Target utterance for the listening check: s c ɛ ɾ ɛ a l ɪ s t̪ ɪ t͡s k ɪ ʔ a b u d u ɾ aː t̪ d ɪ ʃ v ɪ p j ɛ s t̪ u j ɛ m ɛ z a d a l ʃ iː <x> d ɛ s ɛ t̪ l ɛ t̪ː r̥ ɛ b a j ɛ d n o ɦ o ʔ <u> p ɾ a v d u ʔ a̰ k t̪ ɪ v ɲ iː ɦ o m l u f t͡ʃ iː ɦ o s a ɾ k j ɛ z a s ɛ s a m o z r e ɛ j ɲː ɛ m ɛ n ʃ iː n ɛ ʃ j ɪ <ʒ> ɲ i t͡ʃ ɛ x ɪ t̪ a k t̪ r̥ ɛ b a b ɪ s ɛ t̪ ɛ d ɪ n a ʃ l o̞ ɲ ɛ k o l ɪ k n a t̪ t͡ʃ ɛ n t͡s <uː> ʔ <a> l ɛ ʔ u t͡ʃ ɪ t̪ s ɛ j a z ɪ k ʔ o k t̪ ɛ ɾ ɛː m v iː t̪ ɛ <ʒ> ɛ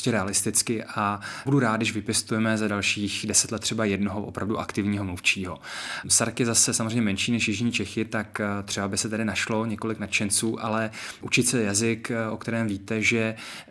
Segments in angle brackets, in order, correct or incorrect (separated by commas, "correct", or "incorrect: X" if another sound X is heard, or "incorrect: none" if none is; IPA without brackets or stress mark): correct, incorrect: o, correct, correct, correct, correct